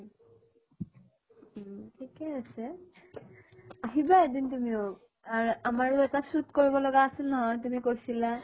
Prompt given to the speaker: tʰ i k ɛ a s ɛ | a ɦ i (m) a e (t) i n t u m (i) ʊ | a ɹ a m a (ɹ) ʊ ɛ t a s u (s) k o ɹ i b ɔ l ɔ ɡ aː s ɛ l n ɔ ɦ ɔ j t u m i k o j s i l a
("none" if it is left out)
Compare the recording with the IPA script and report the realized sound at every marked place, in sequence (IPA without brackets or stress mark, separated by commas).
b, d, i, ɹ, t